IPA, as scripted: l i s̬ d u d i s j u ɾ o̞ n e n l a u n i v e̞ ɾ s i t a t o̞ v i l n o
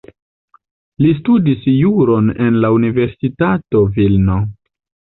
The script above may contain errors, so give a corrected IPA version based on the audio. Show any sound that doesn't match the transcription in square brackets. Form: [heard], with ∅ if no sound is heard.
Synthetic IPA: l i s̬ [t] u d i s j u ɾ o̞ n e n l a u n i v e̞ ɾ s i t a t o̞ v i l n o